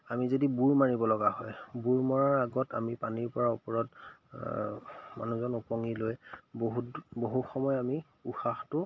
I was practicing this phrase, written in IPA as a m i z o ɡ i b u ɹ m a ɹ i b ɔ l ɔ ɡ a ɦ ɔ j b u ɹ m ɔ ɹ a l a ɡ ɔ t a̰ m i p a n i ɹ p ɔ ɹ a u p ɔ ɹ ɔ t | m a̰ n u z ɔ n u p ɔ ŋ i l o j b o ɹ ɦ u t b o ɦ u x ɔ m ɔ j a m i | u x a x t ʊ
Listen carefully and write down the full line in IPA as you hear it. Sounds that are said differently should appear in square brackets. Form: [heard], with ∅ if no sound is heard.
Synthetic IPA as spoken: a m i z o [d] i b u ɹ m a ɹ i b ɔ l ɔ ɡ a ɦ ɔ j b u ɹ m ɔ ɹ a [ɹ] a ɡ ɔ t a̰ m i p a n i ɹ p ɔ ɹ a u p ɔ ɹ ɔ t | m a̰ n u z ɔ n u p ɔ ŋ i l o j b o [∅] ɦ u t b o ɦ u x ɔ m ɔ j a m i | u x a x t ʊ